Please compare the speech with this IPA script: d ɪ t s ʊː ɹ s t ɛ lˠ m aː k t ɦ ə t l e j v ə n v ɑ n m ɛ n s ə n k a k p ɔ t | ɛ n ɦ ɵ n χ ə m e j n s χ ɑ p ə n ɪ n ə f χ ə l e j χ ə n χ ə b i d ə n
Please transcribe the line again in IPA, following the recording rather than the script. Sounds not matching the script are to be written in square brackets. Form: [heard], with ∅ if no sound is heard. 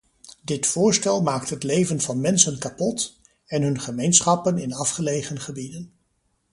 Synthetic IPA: d ɪ t [f] ʊː ɹ s t ɛ lˠ m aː k t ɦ ə t l e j v ə n v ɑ n m ɛ n s ə n k a [∅] p ɔ t | ɛ n ɦ ɵ n χ ə m e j n s χ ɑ p ə n ɪ n [ɑ] f χ ə l e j χ ə n χ ə b i d ə n